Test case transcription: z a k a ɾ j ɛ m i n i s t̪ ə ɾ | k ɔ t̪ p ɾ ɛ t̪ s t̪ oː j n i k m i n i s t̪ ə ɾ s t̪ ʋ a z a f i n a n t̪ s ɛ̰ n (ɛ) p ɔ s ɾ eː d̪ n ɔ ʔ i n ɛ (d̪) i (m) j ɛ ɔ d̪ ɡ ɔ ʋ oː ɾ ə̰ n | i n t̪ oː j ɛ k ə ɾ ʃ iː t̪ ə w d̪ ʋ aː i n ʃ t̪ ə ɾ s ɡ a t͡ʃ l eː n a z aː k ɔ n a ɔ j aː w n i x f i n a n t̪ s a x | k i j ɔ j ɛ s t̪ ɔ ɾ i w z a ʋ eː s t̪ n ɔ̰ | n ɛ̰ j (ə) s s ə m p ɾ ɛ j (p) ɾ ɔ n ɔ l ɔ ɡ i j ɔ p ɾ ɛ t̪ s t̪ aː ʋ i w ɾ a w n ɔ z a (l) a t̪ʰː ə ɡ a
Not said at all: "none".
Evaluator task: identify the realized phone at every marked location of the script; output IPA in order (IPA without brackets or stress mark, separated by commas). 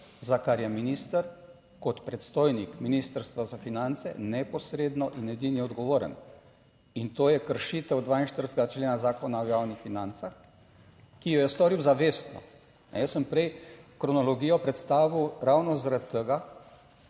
ɛ, d̪, n, ə, k, ɾ